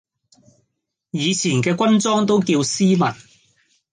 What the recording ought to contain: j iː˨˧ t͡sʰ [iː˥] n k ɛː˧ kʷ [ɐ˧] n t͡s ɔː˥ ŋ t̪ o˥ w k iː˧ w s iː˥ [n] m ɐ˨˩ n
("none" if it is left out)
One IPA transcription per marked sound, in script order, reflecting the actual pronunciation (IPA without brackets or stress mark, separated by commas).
iː˨˩, ɐ˥, none